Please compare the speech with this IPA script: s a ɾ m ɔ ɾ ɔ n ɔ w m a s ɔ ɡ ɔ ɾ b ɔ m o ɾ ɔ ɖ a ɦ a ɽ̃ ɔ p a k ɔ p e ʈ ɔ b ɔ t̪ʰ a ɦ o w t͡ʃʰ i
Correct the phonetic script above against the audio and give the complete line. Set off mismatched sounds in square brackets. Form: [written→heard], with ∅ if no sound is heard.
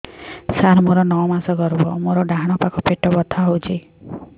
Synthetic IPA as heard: s a ɾ m [ɔ→o] ɾ ɔ n ɔ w m a s ɔ ɡ ɔ ɾ b ɔ m o ɾ ɔ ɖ a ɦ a ɽ̃ ɔ p a k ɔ p e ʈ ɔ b ɔ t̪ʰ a ɦ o w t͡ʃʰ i